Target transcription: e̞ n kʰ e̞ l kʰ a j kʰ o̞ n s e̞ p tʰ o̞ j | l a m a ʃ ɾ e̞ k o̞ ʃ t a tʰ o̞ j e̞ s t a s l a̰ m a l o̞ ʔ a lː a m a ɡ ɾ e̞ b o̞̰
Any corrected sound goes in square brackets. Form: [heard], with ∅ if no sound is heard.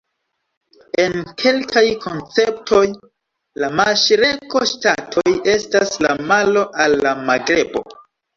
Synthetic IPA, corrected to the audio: e̞ n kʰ e̞ l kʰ a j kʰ o̞ n [t͡s] e̞ p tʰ o̞ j | l a m a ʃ ɾ e̞ k o̞ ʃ t a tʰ o̞ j e̞ s t a s l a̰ m a l o̞ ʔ a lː a m a ɡ ɾ e̞ b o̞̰